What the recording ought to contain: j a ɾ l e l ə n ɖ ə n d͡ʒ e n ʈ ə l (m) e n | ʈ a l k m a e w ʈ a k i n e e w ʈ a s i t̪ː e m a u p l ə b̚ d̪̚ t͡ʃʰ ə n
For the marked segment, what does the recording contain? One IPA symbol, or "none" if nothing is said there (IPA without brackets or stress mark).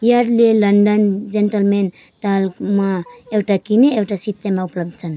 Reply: m